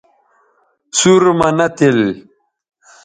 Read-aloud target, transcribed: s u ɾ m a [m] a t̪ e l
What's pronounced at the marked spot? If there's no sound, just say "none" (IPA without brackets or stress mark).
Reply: n